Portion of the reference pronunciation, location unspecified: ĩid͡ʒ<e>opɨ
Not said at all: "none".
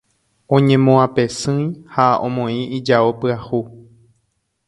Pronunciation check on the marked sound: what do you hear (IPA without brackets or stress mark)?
a